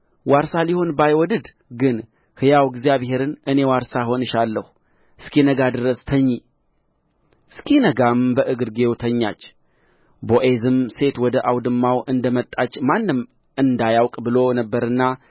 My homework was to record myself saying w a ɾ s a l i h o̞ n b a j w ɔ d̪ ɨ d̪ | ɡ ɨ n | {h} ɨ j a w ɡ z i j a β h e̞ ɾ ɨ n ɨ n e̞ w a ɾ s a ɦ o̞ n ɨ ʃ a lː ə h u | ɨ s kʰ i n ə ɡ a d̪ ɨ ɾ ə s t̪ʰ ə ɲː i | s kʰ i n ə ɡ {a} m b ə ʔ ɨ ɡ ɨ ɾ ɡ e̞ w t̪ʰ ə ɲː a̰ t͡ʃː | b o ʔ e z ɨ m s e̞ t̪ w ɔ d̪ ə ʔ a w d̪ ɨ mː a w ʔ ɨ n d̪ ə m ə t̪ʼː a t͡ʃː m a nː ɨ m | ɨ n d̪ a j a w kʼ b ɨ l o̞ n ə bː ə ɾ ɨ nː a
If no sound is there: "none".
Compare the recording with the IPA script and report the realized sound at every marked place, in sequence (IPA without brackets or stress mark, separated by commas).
h, a